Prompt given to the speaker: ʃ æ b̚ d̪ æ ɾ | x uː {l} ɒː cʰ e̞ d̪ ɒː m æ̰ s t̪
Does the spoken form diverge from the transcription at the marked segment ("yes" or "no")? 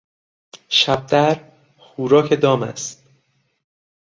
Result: yes